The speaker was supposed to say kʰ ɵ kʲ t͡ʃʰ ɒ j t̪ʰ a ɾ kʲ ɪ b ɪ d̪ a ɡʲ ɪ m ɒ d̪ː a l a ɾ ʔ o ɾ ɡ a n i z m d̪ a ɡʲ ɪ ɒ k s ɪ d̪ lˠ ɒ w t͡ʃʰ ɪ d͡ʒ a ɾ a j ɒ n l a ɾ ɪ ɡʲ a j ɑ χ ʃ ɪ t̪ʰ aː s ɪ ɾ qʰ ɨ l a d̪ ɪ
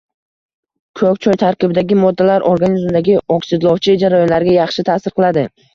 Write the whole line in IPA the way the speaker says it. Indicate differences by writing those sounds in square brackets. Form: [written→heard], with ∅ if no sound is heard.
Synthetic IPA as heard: kʰ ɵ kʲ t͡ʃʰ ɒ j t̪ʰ a ɾ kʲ ɪ b ɪ d̪ a ɡʲ ɪ m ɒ d̪ː a l a ɾ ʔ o ɾ ɡ a n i z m d̪ a ɡʲ ɪ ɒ k s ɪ d̪ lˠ ɒ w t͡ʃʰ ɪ d͡ʒ a ɾ a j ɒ n l a ɾ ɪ ɡʲ a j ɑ χ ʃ ɪ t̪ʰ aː s ɪ ɾ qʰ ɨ l a d̪ ɪ